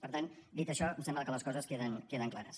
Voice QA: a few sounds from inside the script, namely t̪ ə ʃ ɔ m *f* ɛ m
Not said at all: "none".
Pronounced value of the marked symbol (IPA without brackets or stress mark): s